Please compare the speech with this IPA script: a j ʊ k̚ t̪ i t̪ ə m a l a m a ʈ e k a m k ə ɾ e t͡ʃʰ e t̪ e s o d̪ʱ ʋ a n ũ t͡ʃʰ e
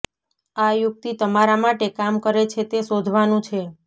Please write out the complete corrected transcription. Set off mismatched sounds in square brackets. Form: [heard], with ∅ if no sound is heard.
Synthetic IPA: a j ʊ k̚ t̪ i t̪ ə m a [ɾ] a m a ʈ e k a m k ə ɾ e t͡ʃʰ e t̪ e s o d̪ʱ ʋ a n ũ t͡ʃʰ e